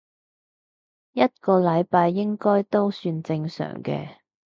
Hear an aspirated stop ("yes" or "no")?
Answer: no